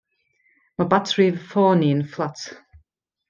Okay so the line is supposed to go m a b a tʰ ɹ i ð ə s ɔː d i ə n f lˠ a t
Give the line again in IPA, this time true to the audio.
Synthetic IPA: m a b a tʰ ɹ i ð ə f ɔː n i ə n f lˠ a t